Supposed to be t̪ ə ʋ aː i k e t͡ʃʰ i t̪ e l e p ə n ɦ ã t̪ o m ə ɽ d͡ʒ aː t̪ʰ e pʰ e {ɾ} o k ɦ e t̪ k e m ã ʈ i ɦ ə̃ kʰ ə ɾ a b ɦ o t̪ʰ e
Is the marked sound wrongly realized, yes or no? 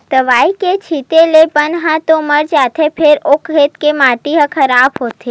no